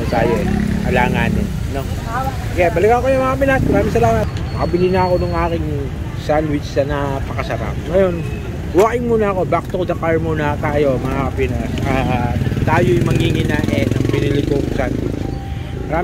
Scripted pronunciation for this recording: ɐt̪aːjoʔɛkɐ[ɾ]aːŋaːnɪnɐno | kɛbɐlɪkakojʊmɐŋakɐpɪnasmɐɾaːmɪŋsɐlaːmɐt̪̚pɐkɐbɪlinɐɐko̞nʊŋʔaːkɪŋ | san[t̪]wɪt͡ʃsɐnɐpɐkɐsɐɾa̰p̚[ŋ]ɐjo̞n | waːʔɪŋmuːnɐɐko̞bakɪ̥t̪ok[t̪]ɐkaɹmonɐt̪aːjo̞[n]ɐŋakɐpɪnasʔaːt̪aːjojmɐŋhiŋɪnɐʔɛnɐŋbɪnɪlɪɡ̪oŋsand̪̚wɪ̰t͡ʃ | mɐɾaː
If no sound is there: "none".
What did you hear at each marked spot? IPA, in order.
l, d̪, ŋ, d̪, m

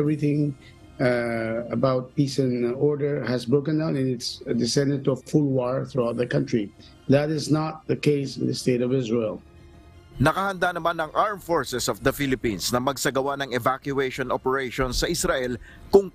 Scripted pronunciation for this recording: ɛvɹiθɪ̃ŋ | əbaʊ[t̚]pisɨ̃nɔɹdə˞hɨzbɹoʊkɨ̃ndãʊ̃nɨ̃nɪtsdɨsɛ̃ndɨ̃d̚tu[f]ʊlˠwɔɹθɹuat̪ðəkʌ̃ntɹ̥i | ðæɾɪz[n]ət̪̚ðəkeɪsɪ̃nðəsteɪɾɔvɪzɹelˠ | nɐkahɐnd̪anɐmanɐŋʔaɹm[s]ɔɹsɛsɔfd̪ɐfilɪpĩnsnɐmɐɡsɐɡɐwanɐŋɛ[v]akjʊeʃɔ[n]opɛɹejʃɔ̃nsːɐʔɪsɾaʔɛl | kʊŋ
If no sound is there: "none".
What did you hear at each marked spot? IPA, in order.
t̚, f, n, f, v, n

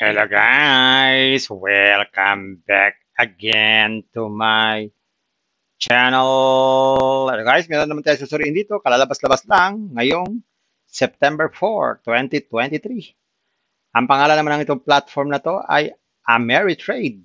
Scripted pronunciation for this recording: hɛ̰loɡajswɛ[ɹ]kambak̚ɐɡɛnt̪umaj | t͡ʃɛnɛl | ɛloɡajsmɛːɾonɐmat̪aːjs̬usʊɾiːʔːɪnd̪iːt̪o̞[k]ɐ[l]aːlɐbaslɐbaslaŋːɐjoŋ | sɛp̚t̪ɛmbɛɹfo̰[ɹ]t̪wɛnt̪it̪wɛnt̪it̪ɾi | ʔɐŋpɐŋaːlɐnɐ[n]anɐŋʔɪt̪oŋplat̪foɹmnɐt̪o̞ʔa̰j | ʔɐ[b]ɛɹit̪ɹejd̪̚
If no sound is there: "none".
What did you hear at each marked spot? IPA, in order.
l, k, l, ɹ, m, m

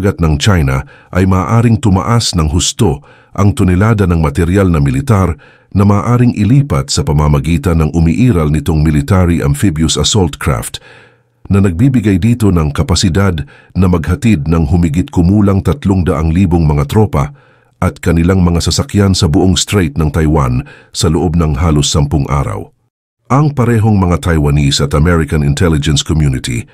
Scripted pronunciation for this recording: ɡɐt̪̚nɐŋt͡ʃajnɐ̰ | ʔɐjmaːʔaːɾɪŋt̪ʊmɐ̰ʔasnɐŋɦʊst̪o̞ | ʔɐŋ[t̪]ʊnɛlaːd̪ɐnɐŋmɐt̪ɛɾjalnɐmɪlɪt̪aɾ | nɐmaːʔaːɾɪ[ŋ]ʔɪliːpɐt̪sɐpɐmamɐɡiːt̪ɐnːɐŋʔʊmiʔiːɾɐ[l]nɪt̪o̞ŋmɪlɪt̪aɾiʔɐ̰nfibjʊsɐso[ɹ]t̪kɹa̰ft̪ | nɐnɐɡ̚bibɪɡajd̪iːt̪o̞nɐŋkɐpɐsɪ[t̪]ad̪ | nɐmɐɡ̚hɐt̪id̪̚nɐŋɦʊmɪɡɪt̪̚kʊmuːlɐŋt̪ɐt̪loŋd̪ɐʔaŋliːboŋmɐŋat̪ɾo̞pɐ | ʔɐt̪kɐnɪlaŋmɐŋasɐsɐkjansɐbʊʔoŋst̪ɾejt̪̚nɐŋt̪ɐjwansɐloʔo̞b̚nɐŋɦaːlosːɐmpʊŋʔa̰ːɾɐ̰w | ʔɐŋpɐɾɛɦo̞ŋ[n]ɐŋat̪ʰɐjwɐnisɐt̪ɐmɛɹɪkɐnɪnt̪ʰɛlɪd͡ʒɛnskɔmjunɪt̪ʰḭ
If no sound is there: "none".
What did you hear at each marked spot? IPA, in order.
t̪, ŋ, l, l, d̪, m

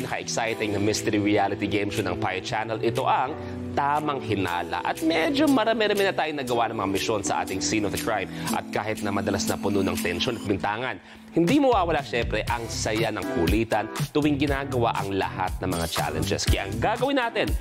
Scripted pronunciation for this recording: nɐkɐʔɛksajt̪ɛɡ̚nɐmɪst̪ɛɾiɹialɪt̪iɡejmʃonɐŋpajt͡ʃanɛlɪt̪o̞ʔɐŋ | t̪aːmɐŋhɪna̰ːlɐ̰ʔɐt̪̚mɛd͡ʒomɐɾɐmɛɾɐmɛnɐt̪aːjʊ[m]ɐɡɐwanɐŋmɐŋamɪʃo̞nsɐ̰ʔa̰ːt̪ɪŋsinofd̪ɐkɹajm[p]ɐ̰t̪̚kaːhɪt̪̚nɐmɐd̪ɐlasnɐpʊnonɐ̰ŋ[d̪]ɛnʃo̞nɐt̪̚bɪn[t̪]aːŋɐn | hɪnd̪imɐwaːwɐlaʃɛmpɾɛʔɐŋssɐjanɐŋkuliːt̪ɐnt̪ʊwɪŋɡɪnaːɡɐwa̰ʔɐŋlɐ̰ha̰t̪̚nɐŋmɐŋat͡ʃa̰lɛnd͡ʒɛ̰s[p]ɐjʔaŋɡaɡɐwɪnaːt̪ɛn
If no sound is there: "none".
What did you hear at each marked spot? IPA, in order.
n, ʔ, t̪, t̪, k

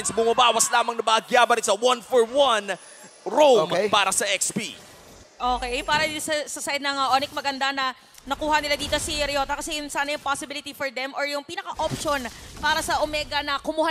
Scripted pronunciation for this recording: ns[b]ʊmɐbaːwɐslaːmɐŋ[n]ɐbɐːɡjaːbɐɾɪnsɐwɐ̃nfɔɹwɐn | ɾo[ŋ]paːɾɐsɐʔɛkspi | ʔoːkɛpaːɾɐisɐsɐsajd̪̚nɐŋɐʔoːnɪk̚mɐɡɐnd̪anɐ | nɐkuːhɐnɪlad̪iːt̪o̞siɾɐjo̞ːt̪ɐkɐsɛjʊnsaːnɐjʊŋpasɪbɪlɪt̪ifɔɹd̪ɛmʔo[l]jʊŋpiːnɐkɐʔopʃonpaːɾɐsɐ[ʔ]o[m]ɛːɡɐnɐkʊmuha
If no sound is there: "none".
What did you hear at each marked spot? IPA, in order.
b, n, m, ɹ, ʔ, m

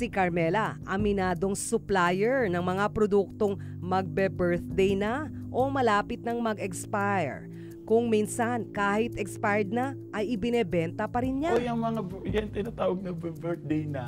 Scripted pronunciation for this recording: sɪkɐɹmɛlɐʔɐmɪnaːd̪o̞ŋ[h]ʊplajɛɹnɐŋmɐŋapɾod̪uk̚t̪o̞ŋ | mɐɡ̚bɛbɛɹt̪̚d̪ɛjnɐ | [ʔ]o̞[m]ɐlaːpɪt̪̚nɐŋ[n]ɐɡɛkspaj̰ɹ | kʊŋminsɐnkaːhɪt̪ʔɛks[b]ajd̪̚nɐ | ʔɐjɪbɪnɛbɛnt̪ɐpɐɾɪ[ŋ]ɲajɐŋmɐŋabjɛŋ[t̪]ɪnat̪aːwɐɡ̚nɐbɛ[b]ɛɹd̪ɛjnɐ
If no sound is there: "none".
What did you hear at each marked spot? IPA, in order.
s, ʔ, m, m, p, n, t̪, b

